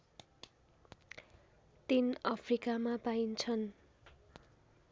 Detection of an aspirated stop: present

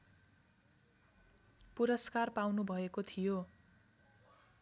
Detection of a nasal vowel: absent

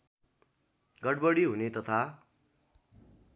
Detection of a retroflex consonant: present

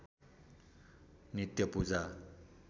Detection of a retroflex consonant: absent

